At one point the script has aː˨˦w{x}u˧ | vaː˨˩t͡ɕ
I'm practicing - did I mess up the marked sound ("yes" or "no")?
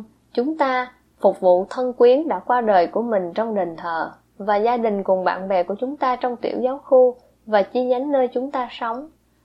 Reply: no